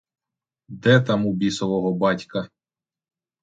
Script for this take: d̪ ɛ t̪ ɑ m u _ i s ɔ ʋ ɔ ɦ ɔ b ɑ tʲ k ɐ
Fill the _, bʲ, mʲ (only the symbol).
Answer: bʲ